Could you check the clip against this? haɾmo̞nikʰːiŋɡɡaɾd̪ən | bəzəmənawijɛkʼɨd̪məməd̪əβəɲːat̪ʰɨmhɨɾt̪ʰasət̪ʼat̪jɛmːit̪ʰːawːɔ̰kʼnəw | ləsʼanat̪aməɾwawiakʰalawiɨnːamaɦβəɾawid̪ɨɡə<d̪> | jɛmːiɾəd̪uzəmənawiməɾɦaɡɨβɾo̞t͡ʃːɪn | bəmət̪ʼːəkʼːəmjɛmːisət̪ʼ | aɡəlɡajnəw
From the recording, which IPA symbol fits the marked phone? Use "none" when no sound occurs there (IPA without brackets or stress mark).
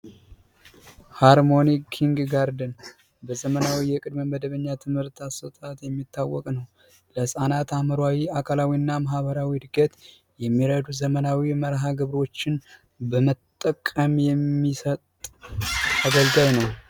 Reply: t̪